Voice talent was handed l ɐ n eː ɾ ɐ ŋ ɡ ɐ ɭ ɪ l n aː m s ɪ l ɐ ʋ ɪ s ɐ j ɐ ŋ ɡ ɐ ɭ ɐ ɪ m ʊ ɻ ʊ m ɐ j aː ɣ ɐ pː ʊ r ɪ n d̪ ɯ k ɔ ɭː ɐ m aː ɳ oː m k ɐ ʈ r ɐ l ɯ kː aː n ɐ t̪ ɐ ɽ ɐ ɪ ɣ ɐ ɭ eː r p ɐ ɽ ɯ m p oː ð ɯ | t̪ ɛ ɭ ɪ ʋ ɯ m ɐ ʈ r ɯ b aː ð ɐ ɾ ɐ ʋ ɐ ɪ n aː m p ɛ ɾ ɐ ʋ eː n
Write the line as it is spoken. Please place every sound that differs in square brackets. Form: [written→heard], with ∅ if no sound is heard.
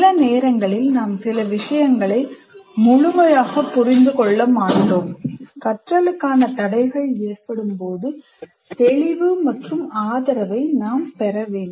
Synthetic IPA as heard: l ɐ n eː ɾ ɐ ŋ ɡ ɐ ɭ ɪ l n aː m s ɪ l ɐ ʋ ɪ [s→ʂ] ɐ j ɐ ŋ ɡ ɐ ɭ ɐ ɪ m ʊ ɻ ʊ m ɐ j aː ɣ ɐ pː ʊ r ɪ n d̪ ɯ k ɔ ɭː ɐ m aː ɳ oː m k ɐ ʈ r ɐ l ɯ kː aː n ɐ t̪ ɐ ɽ ɐ ɪ ɣ ɐ ɭ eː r p ɐ ɽ ɯ m p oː ð ɯ | t̪ ɛ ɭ ɪ ʋ ɯ m ɐ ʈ r ɯ [b→m] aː ð ɐ ɾ ɐ ʋ ɐ ɪ n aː m p ɛ ɾ ɐ ʋ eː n

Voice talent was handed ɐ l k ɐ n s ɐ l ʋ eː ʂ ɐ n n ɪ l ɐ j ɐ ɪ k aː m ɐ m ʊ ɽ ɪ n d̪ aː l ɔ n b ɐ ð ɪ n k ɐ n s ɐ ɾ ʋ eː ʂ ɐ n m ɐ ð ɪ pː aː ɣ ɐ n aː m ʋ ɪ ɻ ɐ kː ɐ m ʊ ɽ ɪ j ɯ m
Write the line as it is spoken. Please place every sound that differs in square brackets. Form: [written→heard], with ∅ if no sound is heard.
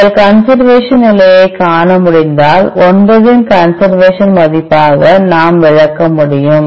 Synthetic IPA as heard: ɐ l k ɐ n s ɐ [l→ɾ] ʋ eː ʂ ɐ n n ɪ l ɐ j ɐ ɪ k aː [m→ɳ] ɐ m ʊ ɽ ɪ n d̪ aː l ɔ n b ɐ ð ɪ n k ɐ n s ɐ ɾ ʋ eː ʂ ɐ n m ɐ ð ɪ pː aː ɣ ɐ n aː m ʋ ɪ ɻ ɐ kː ɐ m ʊ ɽ ɪ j ɯ m

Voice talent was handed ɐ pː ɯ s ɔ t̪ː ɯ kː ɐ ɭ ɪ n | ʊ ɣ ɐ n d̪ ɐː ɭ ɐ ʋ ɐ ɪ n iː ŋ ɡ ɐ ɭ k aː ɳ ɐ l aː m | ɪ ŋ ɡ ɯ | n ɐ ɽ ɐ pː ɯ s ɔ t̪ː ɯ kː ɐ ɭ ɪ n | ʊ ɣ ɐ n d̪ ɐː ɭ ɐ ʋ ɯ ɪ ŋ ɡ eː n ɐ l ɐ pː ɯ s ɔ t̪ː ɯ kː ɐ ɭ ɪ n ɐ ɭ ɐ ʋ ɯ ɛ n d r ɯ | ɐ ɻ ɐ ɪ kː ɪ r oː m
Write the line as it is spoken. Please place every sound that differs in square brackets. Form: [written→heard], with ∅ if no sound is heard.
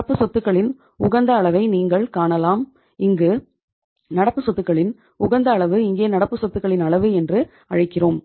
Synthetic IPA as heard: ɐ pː ɯ s ɔ t̪ː ɯ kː ɐ ɭ ɪ n | ʊ ɣ ɐ n d̪ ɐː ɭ ɐ ʋ ɐ ɪ n iː ŋ ɡ ɐ ɭ k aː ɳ ɐ l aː m | ɪ ŋ ɡ ɯ | n ɐ ɽ ɐ pː ɯ s ɔ t̪ː ɯ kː ɐ ɭ ɪ n | ʊ ɣ ɐ n d̪ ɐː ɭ ɐ ʋ ɯ ɪ ŋ ɡ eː n ɐ [l→ɽ] ɐ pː ɯ s ɔ t̪ː ɯ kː ɐ ɭ ɪ n ɐ ɭ ɐ ʋ ɯ ɛ n d r ɯ | ɐ ɻ ɐ ɪ kː ɪ r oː m

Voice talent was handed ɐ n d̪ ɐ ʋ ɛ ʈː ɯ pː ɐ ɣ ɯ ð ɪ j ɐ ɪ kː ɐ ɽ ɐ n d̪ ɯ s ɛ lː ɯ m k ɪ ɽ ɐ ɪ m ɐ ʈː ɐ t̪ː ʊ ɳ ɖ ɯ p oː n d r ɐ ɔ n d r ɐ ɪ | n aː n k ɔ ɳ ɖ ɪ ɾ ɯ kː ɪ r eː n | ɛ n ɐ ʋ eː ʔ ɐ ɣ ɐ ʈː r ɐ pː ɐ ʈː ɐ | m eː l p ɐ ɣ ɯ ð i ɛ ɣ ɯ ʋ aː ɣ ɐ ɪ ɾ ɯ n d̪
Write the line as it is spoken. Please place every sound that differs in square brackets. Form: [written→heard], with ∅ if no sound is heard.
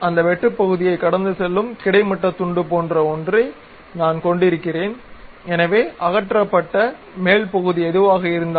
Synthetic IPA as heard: ɐ n d̪ ɐ ʋ ɛ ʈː ɯ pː ɐ ɣ ɯ ð ɪ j ɐ ɪ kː ɐ ɽ ɐ n d̪ ɯ s ɛ lː ɯ m k ɪ ɽ ɐ ɪ m ɐ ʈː ɐ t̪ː ʊ ɳ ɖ ɯ p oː n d r ɐ ɔ n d r ɐ ɪ | n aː n k ɔ ɳ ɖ ɪ ɾ ɯ kː ɪ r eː n | ɛ n ɐ ʋ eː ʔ ɐ ɣ ɐ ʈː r ɐ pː ɐ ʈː ɐ | m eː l p ɐ ɣ ɯ ð i ɛ [ɣ→ð] ɯ ʋ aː ɣ ɐ ɪ ɾ ɯ n d̪

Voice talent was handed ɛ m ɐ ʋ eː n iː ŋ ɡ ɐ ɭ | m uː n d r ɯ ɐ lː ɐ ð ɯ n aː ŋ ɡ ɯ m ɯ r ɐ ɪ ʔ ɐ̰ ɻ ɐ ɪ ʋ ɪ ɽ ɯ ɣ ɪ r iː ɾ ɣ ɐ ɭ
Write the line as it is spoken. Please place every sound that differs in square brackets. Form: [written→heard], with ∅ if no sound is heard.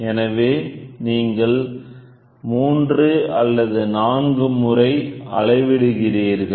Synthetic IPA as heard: ɛ [m→n] ɐ ʋ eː n iː ŋ ɡ ɐ ɭ | m uː n d r ɯ ɐ lː ɐ ð ɯ n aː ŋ ɡ ɯ m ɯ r ɐ ɪ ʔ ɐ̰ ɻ ɐ ɪ ʋ ɪ ɽ ɯ ɣ ɪ r iː ɾ ɣ ɐ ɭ

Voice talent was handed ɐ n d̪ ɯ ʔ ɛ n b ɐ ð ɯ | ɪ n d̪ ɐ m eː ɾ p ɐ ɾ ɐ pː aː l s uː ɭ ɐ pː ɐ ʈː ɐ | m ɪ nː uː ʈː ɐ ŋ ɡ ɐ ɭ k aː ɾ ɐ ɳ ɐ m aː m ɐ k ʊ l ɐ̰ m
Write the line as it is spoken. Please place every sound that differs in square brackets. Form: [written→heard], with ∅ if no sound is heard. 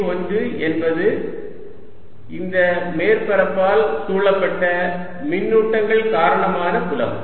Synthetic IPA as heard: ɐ n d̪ ɯ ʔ ɛ n b ɐ ð ɯ | ɪ n d̪ ɐ m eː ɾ p ɐ ɾ ɐ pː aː l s uː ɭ ɐ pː ɐ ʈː ɐ | m ɪ nː uː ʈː ɐ ŋ ɡ ɐ ɭ k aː ɾ ɐ ɳ ɐ m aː [m→n] ɐ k ʊ l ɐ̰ m

